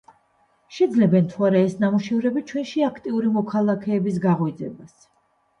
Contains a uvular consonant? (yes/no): yes